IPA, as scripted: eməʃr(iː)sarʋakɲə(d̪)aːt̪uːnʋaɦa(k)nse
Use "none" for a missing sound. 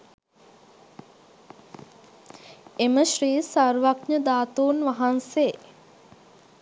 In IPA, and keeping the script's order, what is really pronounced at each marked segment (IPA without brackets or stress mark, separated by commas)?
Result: iː, d̪, none